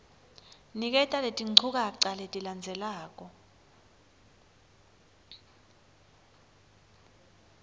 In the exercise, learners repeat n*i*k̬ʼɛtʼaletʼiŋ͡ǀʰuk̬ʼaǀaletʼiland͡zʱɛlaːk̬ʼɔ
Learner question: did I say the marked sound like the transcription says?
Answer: yes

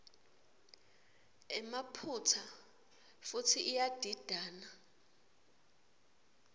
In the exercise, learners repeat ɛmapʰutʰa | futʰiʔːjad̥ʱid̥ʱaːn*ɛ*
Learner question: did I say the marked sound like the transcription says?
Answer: no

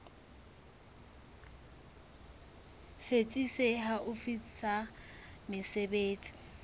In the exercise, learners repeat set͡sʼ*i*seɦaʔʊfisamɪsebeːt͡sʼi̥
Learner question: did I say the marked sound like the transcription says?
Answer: yes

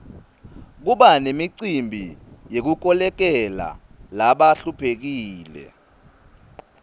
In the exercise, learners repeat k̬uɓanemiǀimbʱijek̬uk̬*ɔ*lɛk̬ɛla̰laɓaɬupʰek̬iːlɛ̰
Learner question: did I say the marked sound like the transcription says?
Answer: yes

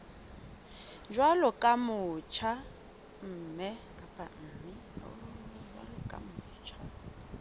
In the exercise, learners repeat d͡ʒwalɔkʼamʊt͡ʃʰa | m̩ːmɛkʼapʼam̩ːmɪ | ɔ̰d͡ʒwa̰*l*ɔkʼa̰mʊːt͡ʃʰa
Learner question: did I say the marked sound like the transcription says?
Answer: yes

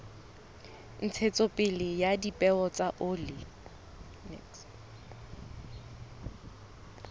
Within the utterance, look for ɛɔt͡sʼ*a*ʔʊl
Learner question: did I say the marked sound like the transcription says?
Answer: yes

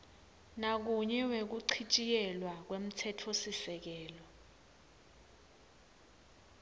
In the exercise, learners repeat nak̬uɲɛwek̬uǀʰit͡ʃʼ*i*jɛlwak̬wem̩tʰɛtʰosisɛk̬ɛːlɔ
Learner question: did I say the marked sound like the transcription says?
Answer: yes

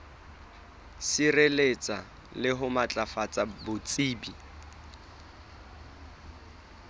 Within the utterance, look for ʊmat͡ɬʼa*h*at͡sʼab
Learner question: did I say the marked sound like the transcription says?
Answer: no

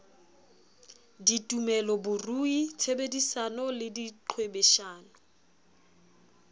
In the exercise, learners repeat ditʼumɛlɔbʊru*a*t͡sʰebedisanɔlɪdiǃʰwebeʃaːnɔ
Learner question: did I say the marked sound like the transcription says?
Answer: no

